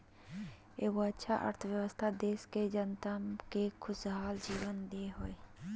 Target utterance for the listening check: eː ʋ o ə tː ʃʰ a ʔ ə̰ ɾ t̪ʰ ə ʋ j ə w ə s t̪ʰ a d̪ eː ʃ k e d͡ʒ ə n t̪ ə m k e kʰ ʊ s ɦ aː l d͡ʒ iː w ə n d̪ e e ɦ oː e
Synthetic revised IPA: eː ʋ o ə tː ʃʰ a ʔ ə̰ ɾ t̪ʰ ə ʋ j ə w ə s t̪ʰ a d̪ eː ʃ k e d͡ʒ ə n t̪ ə m k e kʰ ʊ s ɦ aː l d͡ʒ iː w ə n d̪ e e ɦ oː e